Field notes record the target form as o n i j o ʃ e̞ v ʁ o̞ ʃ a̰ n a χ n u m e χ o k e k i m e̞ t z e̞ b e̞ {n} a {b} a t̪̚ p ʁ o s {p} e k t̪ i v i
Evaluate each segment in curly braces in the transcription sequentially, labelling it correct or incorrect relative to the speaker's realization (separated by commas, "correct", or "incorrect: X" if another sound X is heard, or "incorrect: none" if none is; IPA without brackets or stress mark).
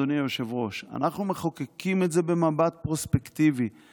incorrect: m, correct, correct